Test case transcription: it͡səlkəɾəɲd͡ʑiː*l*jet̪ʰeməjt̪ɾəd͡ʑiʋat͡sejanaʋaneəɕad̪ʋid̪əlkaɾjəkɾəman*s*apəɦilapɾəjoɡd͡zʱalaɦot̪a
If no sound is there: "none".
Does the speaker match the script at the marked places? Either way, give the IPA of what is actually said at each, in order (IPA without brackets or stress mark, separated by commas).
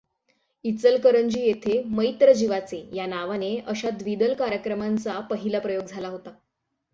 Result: none, t͡s